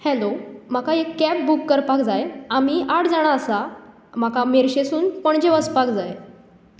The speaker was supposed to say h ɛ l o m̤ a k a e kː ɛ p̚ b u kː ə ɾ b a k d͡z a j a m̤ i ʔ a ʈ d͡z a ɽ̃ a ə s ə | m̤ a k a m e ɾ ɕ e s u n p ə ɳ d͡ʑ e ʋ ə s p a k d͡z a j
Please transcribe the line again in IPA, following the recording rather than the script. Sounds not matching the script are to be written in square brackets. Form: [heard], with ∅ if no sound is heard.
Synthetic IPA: h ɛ l o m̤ a k a e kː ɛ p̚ b u kː ə ɾ [p] a k d͡z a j a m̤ i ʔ a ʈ d͡z a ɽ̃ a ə s [a] | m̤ a k a m e ɾ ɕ e s [uː] n p ə ɳ d͡ʑ e ʋ ə s p a k d͡z a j